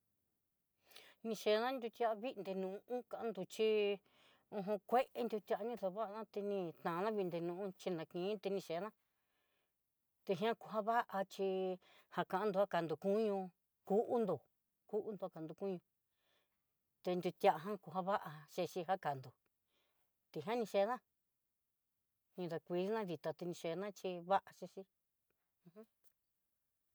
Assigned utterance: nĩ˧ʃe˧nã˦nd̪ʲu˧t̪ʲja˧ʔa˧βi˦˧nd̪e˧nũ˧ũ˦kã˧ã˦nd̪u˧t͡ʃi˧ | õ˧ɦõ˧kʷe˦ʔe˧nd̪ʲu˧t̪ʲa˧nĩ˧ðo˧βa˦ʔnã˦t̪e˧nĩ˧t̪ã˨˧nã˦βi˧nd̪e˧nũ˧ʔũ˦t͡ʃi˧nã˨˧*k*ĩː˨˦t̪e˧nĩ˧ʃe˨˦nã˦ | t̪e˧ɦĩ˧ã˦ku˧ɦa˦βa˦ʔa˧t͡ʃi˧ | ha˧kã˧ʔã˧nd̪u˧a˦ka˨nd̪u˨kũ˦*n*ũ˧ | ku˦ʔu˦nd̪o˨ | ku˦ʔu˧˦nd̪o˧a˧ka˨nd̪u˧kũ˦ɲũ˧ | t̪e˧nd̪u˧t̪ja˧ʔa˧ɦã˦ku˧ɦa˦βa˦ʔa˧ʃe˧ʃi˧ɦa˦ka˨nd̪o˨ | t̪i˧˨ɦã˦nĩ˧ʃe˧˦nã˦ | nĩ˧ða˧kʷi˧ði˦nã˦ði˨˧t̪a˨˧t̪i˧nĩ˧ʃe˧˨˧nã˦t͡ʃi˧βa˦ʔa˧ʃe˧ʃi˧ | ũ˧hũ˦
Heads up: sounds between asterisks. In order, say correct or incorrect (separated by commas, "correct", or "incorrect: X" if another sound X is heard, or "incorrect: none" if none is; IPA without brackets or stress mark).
correct, incorrect: ɲ